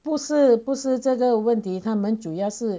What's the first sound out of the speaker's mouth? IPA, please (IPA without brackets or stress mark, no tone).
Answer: p